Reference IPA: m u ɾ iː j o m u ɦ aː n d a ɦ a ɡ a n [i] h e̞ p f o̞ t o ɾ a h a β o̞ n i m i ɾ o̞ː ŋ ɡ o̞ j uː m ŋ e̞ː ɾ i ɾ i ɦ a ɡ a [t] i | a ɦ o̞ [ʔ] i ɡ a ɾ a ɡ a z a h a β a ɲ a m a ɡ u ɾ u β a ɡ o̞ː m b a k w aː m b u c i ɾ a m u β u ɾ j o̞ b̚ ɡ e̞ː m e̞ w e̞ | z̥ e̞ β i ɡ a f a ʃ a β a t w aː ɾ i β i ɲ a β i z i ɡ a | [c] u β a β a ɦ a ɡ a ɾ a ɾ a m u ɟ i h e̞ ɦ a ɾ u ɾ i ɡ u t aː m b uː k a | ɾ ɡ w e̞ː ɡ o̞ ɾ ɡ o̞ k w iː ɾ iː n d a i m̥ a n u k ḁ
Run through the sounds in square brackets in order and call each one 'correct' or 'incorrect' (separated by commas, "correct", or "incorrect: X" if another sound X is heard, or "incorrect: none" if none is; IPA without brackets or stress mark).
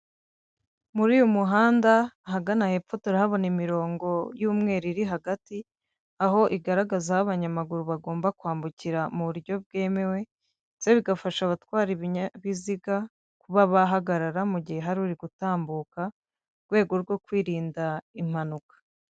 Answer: incorrect: a, correct, correct, incorrect: k